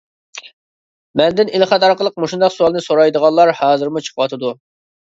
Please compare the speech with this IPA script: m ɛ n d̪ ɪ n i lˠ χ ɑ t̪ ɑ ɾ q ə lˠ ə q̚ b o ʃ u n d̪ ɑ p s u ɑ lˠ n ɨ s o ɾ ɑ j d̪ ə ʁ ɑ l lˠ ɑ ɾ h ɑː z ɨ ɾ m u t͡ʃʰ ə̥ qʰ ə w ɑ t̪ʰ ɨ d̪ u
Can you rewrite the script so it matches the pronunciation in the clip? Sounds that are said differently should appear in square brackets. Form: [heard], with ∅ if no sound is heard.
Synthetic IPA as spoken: m ɛ n d̪ ɪ n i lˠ χ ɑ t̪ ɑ ɾ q ə lˠ ə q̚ [m] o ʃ u n d̪ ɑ [q] s u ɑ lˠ n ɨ s o ɾ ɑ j d̪ ə ʁ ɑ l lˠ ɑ ɾ h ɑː z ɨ ɾ m u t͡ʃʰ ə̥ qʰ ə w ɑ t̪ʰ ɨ d̪ u